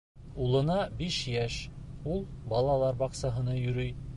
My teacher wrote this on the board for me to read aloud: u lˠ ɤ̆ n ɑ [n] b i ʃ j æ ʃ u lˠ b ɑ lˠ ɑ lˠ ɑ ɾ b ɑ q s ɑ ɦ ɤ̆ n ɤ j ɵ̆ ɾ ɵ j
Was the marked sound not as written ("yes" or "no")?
yes